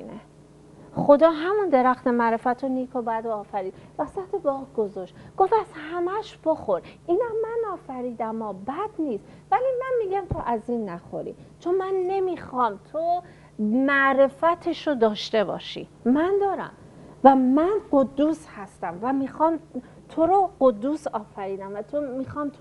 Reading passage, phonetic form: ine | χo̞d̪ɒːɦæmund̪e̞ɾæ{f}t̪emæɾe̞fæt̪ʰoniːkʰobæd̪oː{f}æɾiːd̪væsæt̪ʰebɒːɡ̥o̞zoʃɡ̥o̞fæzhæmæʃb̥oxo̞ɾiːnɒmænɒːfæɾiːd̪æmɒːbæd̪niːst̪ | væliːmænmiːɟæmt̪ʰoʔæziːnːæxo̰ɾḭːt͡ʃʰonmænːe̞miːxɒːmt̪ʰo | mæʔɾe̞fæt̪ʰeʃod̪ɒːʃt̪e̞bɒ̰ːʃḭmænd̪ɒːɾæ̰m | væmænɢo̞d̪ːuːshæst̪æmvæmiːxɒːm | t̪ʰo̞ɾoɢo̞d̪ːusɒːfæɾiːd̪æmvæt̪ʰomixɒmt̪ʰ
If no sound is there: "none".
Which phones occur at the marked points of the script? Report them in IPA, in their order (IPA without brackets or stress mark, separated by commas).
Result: x, f